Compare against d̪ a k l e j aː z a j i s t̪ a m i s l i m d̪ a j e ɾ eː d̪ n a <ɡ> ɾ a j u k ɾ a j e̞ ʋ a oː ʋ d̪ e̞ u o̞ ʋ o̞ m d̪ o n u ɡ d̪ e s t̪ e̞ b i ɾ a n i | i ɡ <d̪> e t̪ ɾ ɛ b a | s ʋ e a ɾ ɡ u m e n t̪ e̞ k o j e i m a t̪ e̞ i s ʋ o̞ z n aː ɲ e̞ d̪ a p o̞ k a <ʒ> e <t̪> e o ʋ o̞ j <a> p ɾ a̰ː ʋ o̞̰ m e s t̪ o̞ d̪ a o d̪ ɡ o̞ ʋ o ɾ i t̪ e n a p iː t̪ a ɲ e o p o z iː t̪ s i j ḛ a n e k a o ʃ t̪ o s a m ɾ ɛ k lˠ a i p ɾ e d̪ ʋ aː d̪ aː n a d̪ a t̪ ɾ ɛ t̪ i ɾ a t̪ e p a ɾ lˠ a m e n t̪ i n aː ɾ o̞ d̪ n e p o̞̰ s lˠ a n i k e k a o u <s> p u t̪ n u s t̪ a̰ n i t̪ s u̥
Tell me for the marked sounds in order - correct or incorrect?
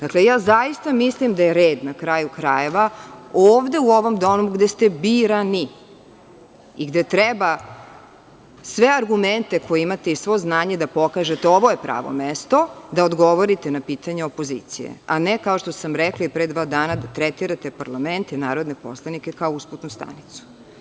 incorrect: k, correct, correct, correct, incorrect: e, correct

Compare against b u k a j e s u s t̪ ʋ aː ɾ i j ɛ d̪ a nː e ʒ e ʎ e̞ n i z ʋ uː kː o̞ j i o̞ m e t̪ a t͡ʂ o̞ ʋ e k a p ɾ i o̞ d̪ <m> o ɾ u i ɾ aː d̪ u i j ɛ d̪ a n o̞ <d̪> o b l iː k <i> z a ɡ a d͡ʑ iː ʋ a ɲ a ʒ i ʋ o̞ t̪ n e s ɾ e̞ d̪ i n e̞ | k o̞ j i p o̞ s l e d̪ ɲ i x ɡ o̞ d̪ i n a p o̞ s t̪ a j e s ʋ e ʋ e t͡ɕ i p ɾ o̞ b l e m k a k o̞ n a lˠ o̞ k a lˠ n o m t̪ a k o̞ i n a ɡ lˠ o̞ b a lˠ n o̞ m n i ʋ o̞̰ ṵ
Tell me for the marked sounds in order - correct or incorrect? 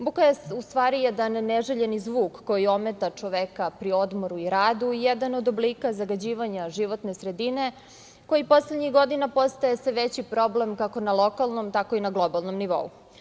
correct, correct, incorrect: a

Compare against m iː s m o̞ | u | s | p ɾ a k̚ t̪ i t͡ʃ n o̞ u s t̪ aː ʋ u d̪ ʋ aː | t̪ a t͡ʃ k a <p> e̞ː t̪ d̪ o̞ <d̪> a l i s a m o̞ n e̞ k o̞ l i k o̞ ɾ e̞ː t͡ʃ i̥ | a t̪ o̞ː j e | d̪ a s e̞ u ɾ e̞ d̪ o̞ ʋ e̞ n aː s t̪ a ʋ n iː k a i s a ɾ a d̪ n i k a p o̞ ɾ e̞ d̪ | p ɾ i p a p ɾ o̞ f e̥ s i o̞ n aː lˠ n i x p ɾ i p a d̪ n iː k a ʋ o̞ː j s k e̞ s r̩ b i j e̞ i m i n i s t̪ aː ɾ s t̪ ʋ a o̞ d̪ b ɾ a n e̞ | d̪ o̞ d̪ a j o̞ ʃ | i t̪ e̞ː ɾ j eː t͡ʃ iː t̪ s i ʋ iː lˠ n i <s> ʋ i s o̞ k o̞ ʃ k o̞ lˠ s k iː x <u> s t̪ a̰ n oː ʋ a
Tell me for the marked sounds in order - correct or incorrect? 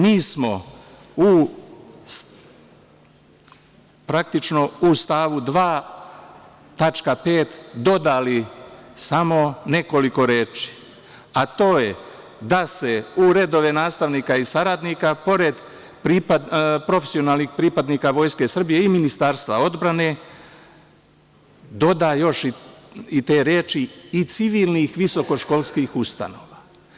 correct, correct, incorrect: x, correct

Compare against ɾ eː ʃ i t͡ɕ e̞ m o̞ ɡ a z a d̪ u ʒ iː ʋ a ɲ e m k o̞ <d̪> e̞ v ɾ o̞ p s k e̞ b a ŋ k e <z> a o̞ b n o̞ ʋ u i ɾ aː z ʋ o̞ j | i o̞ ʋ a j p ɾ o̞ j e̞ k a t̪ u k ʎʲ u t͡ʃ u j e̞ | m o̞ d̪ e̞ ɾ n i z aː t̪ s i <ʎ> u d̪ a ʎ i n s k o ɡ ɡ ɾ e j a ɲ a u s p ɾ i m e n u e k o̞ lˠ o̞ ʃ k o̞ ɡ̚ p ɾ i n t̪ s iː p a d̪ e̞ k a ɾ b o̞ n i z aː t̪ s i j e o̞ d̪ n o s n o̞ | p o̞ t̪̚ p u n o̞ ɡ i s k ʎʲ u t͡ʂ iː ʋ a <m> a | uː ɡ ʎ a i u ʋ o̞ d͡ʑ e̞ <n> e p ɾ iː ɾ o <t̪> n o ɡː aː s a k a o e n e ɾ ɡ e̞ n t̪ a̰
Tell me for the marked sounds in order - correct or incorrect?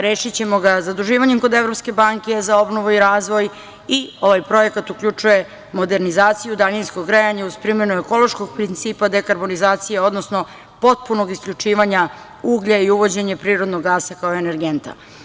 correct, correct, incorrect: j, incorrect: ɲ, incorrect: ɲ, incorrect: d̪

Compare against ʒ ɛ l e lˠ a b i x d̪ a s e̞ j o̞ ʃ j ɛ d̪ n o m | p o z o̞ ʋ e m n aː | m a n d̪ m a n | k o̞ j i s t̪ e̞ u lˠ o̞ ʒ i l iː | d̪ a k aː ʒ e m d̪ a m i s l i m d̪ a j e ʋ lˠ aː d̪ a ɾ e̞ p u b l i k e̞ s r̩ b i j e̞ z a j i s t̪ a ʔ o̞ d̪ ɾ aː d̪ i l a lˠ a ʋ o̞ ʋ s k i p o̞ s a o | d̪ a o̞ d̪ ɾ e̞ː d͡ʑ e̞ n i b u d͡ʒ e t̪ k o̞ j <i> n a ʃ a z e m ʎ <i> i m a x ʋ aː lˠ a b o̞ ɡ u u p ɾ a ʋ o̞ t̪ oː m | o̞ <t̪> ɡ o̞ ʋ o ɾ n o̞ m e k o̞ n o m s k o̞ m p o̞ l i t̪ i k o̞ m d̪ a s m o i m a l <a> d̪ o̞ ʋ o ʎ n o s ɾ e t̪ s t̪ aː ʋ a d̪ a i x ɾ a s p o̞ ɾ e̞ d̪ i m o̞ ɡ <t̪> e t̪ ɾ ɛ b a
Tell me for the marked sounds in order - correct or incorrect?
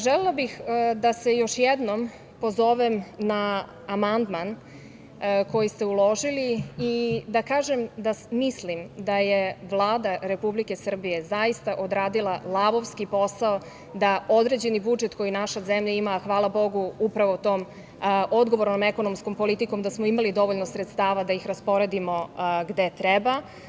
correct, incorrect: a, incorrect: d̪, incorrect: i, incorrect: d̪

